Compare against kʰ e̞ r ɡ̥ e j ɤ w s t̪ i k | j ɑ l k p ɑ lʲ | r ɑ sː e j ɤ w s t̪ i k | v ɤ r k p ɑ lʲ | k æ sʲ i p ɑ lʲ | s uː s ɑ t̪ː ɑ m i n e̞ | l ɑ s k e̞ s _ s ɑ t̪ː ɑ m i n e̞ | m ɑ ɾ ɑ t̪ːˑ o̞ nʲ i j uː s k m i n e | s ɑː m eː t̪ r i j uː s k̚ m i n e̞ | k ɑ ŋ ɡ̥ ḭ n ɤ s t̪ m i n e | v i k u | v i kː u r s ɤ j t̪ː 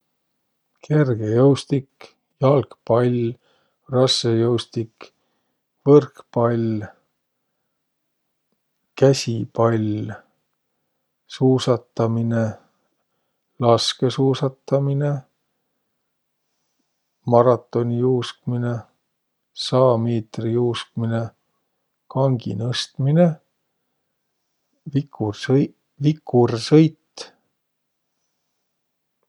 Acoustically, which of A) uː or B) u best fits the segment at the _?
A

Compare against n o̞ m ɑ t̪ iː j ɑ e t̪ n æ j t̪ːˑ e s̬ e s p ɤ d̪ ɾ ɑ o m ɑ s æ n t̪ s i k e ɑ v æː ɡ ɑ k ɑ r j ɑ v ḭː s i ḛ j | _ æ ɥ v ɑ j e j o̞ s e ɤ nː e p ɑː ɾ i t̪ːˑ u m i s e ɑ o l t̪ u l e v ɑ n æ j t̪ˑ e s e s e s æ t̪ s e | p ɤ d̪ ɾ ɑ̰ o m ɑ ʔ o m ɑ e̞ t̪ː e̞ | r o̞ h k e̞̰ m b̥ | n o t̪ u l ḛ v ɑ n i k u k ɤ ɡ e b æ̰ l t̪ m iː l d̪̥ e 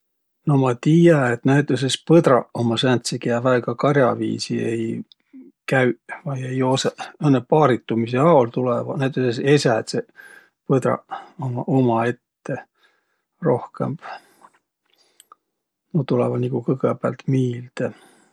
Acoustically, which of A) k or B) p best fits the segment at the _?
A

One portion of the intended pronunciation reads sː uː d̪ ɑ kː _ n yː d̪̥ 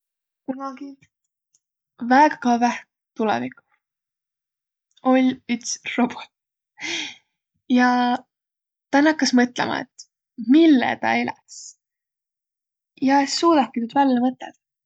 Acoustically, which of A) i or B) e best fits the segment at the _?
A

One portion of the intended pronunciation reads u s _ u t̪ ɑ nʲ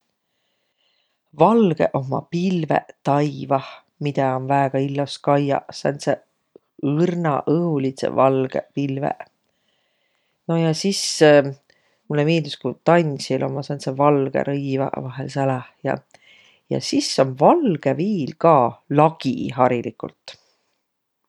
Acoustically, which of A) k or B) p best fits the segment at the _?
A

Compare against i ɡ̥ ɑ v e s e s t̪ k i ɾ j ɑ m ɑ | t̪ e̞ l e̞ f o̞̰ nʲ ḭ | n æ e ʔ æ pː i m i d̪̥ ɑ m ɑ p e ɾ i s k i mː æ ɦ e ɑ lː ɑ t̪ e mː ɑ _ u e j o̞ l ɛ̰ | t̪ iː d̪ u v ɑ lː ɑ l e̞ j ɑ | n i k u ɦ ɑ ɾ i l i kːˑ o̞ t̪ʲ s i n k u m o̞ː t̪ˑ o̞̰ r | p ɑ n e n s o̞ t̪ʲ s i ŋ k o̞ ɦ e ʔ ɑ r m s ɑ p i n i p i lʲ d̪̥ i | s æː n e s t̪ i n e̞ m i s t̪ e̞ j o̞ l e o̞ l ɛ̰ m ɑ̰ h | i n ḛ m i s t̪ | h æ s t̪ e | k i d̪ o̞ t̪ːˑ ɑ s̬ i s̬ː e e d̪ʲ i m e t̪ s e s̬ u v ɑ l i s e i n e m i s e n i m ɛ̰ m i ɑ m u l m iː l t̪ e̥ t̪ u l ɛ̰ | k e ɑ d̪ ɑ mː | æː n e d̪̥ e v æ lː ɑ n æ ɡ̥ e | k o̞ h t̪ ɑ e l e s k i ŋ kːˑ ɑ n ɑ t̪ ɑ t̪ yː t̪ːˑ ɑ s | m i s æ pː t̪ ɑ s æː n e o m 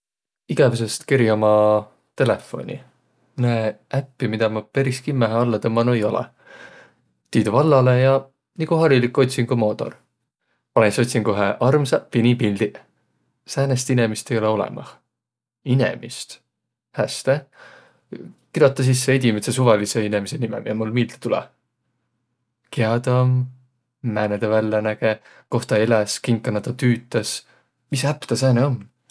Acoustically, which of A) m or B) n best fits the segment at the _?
B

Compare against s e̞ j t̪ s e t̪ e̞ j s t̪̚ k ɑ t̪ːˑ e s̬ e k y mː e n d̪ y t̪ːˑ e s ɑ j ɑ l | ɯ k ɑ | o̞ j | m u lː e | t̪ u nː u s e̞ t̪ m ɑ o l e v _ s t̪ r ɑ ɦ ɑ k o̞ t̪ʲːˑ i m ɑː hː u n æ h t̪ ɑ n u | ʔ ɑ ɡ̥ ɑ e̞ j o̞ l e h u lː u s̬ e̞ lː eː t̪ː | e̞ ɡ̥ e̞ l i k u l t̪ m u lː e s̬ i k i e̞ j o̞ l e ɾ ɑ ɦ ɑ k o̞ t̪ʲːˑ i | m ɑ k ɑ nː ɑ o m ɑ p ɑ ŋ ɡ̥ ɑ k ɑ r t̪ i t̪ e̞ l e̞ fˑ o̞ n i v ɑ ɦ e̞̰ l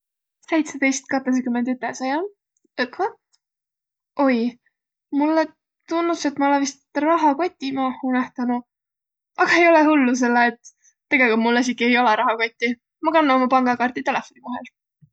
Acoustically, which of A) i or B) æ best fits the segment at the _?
A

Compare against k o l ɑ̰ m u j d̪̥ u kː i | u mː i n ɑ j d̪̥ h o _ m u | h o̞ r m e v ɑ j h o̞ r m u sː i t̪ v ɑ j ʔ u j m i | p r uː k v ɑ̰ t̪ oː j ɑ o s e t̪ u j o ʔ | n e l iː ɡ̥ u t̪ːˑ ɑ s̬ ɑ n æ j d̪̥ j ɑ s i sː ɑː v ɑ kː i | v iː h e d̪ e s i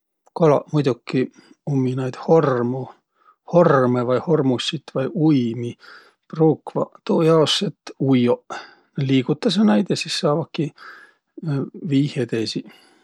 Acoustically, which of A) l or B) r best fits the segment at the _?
B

